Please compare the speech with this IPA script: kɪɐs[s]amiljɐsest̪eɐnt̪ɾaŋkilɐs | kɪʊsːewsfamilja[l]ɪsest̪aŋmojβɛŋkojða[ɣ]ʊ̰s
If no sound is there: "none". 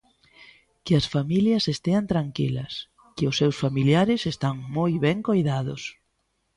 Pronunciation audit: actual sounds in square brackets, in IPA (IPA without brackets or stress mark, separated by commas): f, ɾ, ð